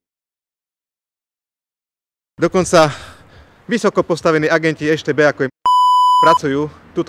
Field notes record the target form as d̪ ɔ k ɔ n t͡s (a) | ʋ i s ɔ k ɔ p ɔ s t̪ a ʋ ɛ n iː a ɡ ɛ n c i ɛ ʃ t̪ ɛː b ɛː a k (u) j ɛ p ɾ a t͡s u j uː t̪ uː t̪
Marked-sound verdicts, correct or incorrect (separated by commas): correct, incorrect